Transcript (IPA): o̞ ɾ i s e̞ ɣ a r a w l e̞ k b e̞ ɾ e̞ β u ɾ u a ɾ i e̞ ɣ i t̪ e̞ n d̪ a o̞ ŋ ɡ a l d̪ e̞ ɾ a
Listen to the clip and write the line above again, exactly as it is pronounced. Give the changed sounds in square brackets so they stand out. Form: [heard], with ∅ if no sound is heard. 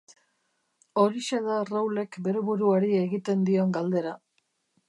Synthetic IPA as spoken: o̞ ɾ i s e̞ [ð] a r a w l e̞ k b e̞ ɾ e̞ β u ɾ u a ɾ i e̞ ɣ i t̪ e̞ n d̪ [i] o̞ ŋ ɡ a l d̪ e̞ ɾ a